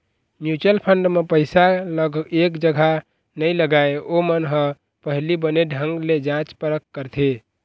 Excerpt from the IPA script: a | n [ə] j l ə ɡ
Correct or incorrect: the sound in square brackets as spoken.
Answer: correct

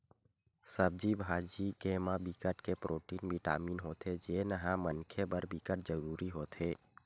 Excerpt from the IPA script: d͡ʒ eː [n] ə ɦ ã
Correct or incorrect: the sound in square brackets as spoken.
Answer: correct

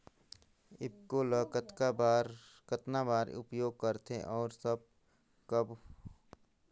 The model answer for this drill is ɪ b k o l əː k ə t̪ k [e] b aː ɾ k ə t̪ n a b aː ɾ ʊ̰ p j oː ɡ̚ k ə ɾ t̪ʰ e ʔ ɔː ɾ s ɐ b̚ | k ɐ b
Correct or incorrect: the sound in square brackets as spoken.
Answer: incorrect: a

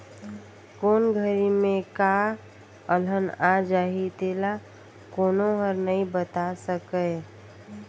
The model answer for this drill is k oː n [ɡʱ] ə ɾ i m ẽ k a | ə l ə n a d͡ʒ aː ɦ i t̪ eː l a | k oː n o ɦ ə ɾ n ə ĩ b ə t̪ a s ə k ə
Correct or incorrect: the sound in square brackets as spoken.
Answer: correct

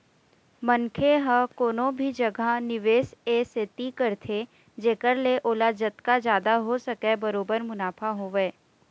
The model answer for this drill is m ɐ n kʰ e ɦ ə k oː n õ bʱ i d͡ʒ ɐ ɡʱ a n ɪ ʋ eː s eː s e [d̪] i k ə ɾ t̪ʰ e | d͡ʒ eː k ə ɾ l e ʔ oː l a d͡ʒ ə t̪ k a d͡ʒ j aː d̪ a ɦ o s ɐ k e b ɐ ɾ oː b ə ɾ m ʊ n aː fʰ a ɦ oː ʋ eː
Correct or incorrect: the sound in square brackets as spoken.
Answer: incorrect: t̪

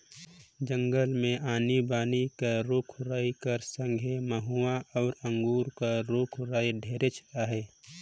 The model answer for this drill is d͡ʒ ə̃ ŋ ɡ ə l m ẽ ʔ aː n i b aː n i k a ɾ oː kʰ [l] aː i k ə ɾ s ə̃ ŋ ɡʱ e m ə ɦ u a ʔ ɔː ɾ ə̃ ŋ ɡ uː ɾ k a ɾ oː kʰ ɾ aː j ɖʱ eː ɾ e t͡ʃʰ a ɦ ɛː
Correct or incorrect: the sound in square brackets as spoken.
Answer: incorrect: ɾ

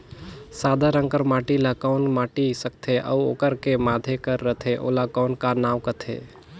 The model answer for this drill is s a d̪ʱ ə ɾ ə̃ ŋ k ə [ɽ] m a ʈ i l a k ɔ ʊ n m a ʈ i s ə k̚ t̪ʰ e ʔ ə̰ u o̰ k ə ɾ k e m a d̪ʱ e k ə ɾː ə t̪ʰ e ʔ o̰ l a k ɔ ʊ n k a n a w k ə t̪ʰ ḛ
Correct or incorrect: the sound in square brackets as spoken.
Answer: incorrect: ɾ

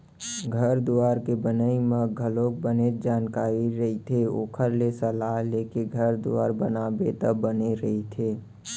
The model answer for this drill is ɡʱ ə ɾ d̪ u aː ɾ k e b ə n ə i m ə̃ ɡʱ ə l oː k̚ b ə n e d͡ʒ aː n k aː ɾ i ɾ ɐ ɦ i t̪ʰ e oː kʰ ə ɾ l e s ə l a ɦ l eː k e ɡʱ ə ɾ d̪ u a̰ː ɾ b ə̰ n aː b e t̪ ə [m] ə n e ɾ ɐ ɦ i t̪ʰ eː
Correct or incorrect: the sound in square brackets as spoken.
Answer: incorrect: b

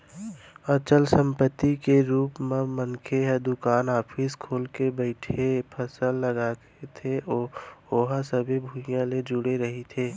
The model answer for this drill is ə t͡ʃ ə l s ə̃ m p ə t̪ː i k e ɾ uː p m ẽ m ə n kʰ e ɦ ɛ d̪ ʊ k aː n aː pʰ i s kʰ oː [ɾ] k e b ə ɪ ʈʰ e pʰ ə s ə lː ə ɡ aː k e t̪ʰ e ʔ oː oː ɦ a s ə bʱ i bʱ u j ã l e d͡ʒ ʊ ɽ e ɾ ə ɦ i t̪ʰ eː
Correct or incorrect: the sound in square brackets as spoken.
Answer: incorrect: l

